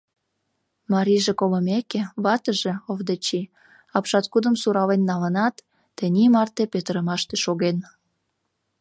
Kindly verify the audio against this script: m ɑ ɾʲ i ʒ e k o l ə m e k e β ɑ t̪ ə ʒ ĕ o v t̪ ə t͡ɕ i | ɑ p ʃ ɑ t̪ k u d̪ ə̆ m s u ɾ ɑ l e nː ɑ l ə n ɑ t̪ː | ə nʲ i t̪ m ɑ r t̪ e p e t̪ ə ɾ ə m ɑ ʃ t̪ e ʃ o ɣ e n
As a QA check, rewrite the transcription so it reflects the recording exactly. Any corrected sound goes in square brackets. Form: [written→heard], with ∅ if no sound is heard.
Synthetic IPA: m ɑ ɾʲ i ʒ e k o l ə m e k e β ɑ t̪ ə ʒ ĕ o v [t̪→d̪] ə t͡ɕ i | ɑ p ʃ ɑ t̪ k u d̪ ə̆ m s u ɾ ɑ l e nː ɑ l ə n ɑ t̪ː | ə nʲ i [t̪→∅] m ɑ r t̪ e p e t̪ ə ɾ ə m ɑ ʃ t̪ e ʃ o ɣ e n